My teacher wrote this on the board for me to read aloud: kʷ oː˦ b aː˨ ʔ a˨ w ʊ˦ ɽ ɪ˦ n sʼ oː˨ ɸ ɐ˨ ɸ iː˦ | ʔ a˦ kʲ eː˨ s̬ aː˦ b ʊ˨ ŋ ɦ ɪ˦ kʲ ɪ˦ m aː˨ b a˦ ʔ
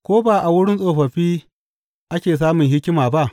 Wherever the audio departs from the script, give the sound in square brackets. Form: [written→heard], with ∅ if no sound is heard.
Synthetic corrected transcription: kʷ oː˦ b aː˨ ʔ a˨ w ʊ˦ ɽ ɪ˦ n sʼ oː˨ ɸ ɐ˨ ɸ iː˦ | ʔ a˦ kʲ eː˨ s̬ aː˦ [b→m] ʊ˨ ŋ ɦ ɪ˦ kʲ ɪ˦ m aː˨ b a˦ ʔ